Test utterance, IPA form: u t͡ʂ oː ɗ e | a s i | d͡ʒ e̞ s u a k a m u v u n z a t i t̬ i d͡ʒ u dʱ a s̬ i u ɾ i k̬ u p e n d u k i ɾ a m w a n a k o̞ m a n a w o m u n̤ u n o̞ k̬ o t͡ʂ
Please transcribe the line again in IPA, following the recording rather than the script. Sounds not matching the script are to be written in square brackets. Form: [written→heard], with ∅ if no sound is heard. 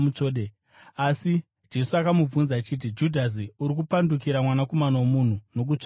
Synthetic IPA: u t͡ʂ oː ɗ e | a s i | d͡ʒ e̞ s u a k a m u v u n z a [t→t͡ʃ] i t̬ i d͡ʒ u dʱ a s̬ i u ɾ i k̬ u p [e→a] n d u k i ɾ a m w a n a k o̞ m a n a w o m u n̤ u n o̞ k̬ [o→u] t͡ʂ